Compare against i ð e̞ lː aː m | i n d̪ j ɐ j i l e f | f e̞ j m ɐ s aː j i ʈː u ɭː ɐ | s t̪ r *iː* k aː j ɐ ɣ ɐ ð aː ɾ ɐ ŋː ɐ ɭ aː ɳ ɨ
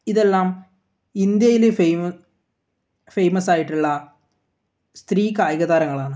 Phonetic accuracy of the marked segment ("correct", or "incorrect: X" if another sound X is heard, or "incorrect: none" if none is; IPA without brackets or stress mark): correct